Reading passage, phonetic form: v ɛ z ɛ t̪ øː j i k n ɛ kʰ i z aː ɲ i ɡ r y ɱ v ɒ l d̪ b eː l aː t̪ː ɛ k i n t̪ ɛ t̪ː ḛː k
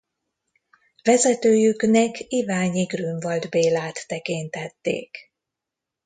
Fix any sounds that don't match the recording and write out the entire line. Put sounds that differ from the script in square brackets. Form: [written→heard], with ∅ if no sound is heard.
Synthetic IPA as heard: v ɛ z ɛ t̪ øː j [i→y] k n ɛ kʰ i [z→v] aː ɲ i ɡ r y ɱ v ɒ l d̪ b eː l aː t̪ː ɛ k i n t̪ ɛ t̪ː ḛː k